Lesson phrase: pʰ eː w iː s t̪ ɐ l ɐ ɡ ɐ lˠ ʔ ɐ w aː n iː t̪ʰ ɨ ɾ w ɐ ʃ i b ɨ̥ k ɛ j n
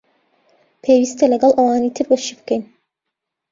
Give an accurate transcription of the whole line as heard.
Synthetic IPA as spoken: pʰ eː w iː s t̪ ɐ l ɐ ɡ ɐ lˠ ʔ ɐ w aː n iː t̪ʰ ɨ ɾ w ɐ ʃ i b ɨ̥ k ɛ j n